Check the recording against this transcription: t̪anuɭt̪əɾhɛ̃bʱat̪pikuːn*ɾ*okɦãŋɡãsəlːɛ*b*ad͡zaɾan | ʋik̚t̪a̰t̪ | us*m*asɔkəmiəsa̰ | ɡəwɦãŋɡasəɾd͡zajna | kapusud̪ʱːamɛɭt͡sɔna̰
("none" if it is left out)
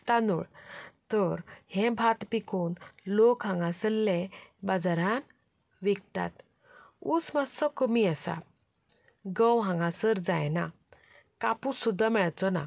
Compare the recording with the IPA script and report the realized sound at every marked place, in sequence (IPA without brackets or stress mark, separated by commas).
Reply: l, b, m